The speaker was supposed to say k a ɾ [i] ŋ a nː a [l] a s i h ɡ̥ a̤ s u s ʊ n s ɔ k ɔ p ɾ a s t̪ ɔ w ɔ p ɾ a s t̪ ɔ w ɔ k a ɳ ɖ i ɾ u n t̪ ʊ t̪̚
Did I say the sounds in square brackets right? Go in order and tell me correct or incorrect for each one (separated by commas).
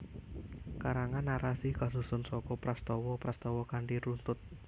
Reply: incorrect, incorrect